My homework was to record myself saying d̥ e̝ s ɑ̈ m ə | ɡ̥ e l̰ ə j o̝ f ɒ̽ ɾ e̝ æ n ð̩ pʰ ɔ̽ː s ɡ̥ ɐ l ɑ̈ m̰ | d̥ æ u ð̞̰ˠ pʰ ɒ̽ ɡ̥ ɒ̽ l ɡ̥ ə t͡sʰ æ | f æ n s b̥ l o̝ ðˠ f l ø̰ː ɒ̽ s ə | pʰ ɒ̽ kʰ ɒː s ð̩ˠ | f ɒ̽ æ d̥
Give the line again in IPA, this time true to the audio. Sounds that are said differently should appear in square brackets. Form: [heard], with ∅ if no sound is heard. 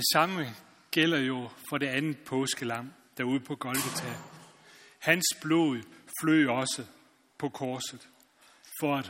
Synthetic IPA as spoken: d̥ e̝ s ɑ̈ m ə | ɡ̥ e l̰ [ɐ] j o̝ f ɒ̽ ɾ e̝ æ n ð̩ pʰ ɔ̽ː s ɡ̥ [ə] l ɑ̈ m̰ | d̥ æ u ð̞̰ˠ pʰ ɒ̽ ɡ̥ ɒ̽ l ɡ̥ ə t͡sʰ æ | [h] æ n s b̥ l o̝ ðˠ f l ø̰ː ɒ̽ s ə | pʰ ɒ̽ kʰ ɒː s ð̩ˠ | f ɒ̽ æ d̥